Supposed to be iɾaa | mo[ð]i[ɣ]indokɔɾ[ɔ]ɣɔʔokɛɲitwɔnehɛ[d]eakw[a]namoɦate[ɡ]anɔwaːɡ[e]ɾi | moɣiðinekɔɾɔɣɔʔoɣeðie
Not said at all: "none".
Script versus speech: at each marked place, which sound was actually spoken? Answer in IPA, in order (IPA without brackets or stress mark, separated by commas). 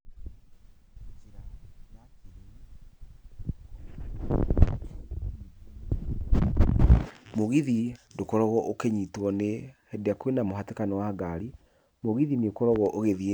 ɣ, ð, ɔ, d, e, k, a